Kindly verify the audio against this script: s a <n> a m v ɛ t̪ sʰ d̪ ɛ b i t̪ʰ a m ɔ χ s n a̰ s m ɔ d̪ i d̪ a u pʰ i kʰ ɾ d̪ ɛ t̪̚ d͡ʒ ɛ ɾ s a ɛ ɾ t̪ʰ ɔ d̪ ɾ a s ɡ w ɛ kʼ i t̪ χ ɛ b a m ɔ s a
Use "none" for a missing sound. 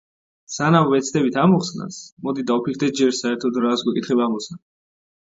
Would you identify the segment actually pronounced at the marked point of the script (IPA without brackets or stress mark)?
n